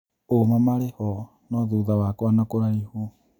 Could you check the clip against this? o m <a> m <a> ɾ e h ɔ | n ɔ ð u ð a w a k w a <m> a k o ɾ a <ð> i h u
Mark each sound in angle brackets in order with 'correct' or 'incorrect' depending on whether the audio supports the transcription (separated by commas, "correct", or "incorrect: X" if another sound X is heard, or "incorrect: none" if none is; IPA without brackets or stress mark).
correct, correct, incorrect: n, incorrect: none